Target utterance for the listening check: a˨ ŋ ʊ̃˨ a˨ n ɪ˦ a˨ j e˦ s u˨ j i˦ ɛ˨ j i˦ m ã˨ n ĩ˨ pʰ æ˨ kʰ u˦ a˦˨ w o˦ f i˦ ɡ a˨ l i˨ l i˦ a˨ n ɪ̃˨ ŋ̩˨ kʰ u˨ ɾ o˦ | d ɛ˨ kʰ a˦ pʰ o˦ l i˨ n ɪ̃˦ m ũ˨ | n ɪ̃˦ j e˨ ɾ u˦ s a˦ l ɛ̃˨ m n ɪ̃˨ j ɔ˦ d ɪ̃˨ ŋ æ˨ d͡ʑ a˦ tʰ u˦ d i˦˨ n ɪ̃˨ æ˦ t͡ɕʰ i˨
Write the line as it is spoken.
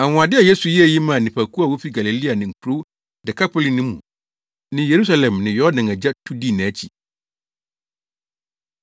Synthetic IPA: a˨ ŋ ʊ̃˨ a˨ d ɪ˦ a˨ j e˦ s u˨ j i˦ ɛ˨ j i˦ m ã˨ n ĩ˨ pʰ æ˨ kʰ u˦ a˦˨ w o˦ f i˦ ɡ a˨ l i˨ l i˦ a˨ n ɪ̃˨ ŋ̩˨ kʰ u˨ ɾ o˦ | d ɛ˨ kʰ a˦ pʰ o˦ l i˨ n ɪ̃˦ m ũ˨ | n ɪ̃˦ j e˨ ɾ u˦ s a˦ l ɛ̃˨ m n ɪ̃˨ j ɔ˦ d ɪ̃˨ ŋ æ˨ d͡ʑ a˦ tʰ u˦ d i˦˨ n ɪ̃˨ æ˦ t͡ɕʰ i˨